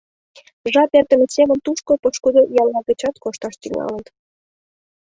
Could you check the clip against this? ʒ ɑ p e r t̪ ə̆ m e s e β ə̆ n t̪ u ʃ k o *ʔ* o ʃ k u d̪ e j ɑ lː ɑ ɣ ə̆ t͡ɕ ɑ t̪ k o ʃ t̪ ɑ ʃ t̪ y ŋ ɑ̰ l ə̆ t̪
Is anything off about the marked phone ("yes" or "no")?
yes